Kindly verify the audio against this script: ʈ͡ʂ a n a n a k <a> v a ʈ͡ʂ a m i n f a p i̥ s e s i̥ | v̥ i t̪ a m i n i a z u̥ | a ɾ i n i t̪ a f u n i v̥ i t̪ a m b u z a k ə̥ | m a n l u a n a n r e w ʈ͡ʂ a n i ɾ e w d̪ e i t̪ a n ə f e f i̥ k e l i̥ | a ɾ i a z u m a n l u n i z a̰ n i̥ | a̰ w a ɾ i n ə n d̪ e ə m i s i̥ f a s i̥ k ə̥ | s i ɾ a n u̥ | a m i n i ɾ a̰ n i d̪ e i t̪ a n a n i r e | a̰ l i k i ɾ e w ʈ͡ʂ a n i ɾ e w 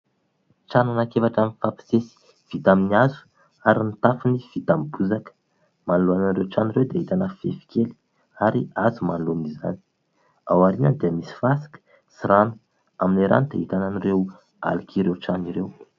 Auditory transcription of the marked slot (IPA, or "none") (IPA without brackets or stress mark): e